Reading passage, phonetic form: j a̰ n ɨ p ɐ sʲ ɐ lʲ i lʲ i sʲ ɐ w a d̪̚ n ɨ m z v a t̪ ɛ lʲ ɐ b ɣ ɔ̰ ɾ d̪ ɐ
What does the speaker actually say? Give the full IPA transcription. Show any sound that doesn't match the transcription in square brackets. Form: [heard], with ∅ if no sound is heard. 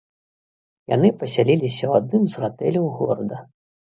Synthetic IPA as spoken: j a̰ n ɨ p ɐ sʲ [a] lʲ i lʲ i sʲ ɐ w a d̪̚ n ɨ m z [ɣ] a t̪ ɛ lʲ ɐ [w] ɣ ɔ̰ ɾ d̪ ɐ